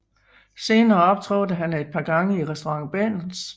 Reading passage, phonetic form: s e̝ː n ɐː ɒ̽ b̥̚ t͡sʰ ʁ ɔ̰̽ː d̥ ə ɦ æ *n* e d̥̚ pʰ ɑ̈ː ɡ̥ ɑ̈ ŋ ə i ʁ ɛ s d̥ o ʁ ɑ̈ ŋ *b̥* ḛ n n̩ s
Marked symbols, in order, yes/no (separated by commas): yes, yes